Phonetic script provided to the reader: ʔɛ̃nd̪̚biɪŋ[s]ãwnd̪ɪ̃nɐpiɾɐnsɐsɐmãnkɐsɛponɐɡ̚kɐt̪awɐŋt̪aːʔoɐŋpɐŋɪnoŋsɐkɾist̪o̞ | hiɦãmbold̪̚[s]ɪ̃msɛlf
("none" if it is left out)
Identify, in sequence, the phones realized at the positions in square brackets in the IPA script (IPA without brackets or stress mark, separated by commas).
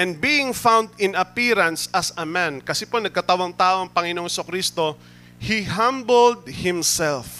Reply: f, h